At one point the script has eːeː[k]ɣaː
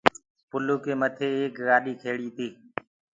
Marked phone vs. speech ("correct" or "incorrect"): correct